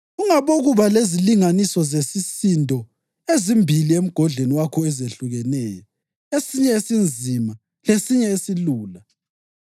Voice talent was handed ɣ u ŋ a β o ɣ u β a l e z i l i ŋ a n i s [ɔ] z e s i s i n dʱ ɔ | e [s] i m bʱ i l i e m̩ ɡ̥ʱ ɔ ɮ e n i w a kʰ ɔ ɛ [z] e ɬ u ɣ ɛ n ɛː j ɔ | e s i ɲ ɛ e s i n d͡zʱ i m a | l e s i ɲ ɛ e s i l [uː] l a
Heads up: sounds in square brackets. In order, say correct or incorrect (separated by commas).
correct, incorrect, correct, correct